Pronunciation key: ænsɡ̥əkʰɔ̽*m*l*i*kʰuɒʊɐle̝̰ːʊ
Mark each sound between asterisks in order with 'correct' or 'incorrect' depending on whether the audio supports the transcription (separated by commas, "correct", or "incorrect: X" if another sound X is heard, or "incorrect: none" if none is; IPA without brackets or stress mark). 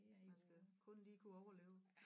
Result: incorrect: n, incorrect: iː